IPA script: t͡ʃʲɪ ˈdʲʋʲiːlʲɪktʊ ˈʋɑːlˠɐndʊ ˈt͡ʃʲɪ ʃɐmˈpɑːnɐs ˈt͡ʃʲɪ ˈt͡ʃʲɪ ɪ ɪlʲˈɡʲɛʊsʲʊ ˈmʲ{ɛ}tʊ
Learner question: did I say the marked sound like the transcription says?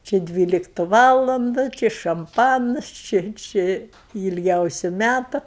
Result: no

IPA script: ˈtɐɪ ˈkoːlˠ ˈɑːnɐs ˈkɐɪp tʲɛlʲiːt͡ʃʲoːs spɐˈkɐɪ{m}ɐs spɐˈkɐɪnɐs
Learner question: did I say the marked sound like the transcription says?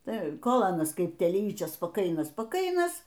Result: no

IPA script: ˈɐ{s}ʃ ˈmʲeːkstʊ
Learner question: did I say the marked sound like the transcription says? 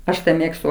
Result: no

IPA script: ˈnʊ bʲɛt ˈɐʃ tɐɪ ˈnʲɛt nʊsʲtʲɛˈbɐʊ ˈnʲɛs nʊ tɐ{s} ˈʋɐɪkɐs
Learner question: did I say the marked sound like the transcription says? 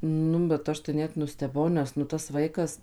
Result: yes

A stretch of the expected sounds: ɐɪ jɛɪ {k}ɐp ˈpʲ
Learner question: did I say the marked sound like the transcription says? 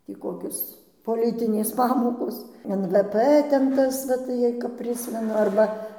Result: yes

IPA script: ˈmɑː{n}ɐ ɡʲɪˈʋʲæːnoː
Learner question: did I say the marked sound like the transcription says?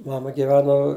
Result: no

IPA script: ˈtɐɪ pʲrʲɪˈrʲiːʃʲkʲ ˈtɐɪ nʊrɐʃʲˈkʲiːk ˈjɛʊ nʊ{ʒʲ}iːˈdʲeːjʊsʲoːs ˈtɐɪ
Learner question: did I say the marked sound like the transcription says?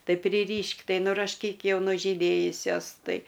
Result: yes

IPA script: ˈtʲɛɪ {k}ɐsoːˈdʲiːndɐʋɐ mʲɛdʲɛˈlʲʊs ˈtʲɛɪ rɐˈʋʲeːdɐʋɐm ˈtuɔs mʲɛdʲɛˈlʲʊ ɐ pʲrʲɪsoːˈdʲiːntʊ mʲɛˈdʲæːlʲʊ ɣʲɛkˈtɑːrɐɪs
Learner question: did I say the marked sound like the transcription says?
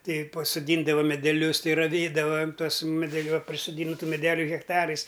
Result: no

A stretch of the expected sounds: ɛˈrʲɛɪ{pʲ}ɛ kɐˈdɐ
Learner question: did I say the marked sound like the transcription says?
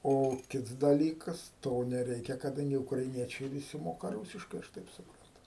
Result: no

